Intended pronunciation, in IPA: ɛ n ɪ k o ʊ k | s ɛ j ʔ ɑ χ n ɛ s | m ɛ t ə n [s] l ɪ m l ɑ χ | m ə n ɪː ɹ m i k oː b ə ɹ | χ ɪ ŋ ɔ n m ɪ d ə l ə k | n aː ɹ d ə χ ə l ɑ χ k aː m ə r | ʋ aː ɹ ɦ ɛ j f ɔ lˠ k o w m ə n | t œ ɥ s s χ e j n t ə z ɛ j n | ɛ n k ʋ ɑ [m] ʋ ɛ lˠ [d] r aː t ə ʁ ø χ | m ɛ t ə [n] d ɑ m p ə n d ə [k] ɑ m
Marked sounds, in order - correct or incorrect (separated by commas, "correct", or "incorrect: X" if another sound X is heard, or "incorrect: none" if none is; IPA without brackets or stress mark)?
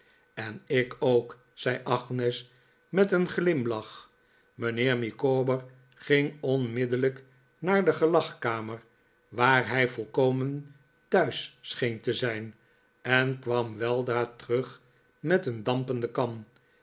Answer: incorrect: χ, correct, correct, correct, correct